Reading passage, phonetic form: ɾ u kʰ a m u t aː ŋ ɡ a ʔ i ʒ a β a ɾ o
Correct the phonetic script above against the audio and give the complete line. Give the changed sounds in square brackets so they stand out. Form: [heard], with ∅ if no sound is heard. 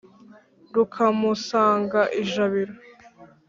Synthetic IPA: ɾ u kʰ a m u [s] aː ŋ ɡ a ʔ i ʒ a β [i] ɾ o